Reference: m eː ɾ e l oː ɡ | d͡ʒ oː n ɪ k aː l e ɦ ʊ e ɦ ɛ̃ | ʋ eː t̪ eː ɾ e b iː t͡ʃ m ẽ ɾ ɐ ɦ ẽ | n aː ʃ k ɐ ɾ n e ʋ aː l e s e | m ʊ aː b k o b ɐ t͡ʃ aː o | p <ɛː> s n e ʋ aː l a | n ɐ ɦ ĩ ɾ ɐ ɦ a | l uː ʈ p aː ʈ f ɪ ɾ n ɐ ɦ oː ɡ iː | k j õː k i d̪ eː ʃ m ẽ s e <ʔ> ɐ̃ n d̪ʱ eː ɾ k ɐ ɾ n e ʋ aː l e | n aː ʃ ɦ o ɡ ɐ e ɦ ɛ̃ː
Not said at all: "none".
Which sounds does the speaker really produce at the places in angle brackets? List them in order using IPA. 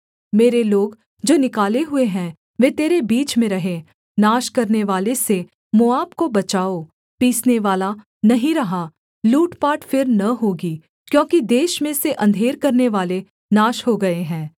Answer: iː, ʔ

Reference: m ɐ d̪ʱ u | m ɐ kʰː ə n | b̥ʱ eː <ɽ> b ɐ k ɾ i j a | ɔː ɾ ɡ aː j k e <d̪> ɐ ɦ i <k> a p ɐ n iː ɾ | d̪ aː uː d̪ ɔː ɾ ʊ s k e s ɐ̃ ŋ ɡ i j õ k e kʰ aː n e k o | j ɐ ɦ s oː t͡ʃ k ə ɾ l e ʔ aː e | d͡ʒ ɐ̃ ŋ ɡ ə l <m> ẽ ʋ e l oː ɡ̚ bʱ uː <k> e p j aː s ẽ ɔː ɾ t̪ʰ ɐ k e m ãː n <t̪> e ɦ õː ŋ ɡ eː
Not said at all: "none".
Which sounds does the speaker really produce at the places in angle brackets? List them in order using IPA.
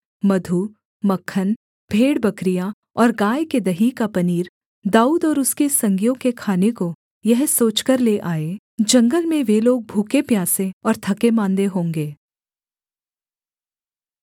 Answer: ɽ, d̪, k, m, k, d̪

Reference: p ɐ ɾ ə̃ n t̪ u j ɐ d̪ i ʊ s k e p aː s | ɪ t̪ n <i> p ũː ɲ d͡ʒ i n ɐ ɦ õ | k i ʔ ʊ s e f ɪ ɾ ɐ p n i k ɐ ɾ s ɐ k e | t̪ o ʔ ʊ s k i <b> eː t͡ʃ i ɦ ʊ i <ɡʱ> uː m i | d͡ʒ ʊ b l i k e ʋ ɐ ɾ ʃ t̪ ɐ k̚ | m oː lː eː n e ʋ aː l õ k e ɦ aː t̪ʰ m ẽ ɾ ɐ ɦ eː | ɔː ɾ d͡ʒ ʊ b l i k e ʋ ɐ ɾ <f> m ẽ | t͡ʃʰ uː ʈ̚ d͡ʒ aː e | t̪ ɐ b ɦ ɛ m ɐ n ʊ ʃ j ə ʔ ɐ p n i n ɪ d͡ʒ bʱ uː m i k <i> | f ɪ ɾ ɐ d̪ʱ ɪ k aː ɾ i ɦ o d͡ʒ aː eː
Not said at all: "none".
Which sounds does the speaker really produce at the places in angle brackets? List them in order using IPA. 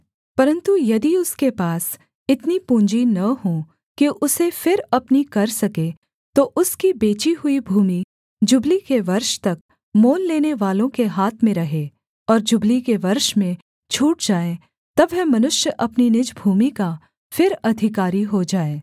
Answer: i, b, bʱ, ʃ, a

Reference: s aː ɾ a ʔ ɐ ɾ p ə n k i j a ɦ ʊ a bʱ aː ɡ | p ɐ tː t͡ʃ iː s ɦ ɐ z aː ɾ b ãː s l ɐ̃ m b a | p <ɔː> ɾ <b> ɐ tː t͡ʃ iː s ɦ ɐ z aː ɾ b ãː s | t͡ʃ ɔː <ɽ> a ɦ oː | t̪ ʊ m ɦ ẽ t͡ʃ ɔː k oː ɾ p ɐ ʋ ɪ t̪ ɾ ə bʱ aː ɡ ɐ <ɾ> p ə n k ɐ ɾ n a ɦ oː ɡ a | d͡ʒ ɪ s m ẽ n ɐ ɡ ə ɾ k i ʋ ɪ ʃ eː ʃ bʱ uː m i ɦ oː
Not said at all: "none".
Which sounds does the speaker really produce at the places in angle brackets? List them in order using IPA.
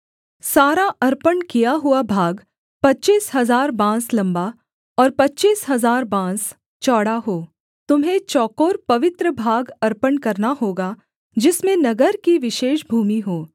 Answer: ɔː, p, ɽ, ɾ

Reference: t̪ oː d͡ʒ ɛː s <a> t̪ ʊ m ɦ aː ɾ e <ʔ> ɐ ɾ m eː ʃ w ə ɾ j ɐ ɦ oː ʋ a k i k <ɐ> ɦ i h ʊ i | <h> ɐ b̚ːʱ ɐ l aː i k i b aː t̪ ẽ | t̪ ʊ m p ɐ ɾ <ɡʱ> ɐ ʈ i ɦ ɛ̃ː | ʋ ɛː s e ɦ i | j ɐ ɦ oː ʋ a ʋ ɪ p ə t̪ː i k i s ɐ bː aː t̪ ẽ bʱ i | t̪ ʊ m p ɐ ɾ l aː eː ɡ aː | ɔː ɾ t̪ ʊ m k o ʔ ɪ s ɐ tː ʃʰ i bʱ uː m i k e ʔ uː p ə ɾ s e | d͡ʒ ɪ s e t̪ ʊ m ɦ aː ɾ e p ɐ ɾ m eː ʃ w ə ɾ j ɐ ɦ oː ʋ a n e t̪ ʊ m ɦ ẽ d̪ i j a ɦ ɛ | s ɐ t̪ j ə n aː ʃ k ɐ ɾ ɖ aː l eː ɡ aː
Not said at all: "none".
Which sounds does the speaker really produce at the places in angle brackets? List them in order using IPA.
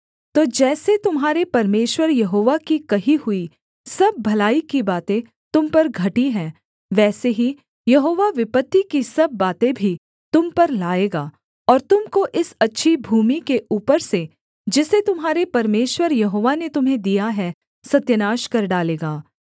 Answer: e, p, ɐ, s, ɡʱ

